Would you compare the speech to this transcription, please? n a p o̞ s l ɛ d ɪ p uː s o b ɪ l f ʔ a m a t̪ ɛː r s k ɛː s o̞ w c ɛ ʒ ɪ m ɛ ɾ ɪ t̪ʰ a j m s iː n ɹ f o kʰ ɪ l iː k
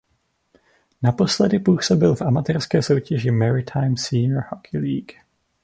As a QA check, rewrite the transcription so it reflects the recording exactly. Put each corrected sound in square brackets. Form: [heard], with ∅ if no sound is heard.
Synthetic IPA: n a p o̞ s l ɛ d ɪ p uː s o b ɪ l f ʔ a m a t̪ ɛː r s k ɛː s o̞ w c ɛ ʒ ɪ m ɛ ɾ ɪ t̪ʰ a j m s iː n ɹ [h] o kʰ ɪ l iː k